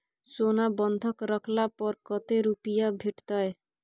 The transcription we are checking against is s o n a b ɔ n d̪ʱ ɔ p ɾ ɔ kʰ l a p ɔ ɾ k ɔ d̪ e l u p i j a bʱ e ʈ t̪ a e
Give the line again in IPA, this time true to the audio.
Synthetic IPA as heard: s o n a b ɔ n d̪ʱ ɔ k ɾ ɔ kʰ l a p ɔ ɾ k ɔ t̪ e ɾ u p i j a bʱ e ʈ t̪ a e